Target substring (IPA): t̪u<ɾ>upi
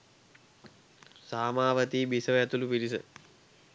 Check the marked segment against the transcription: incorrect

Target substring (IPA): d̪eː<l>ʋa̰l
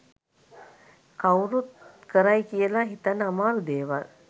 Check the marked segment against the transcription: incorrect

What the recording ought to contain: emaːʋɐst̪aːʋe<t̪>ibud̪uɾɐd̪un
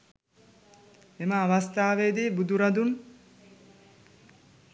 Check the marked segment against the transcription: incorrect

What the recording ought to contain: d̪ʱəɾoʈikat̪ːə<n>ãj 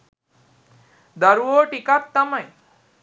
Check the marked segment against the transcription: incorrect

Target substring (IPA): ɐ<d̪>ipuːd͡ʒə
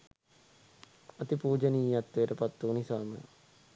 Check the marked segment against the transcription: incorrect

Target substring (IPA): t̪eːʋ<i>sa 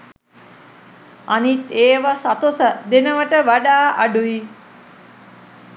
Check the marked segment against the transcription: incorrect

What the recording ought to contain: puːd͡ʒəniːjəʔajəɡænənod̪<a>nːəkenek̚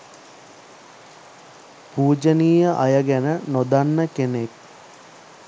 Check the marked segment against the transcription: correct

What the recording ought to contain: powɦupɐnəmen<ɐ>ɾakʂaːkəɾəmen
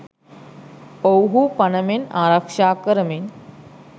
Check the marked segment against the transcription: incorrect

